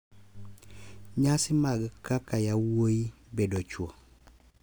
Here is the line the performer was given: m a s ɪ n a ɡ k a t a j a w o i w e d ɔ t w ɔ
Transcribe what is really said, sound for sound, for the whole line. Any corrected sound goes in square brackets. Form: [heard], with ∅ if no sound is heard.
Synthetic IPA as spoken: [ɲ] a s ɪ [m] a ɡ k a [k] a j a w o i [b] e d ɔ [t͡ʃ] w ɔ